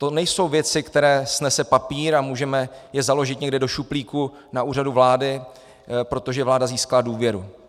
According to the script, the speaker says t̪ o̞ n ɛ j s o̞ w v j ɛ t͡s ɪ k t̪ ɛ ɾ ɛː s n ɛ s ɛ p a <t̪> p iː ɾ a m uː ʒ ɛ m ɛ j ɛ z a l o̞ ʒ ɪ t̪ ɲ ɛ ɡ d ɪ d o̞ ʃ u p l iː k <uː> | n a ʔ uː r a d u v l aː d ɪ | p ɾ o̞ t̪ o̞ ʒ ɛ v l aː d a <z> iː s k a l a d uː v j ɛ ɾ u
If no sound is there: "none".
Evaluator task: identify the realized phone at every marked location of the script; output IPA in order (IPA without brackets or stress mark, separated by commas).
none, u, z